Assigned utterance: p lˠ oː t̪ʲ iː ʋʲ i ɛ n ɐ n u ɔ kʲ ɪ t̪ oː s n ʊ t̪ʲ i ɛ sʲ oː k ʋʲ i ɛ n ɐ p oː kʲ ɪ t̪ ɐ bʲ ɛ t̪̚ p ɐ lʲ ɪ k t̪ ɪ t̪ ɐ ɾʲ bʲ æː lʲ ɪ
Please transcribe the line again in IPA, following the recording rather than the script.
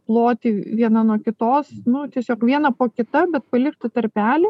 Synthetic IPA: p lˠ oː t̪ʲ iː ʋʲ i ɛ n ɐ n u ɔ kʲ ɪ t̪ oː s n ʊ t̪ʲ i ɛ sʲ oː k ʋʲ i ɛ n ɐ p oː kʲ ɪ t̪ ɐ bʲ ɛ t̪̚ p ɐ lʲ ɪ k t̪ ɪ t̪ ɐ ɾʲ pʲ æː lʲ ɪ